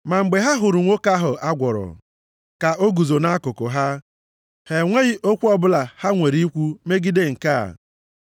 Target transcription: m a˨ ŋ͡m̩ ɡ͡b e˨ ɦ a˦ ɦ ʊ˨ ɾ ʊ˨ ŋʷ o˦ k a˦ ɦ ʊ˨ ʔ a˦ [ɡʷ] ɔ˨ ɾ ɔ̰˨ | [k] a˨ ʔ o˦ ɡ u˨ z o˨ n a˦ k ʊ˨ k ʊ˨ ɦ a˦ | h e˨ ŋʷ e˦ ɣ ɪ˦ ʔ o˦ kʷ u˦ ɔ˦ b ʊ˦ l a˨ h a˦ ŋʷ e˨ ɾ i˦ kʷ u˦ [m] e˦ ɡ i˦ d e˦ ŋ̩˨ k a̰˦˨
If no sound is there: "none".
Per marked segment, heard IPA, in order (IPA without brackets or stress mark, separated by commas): ɡʷ, k, m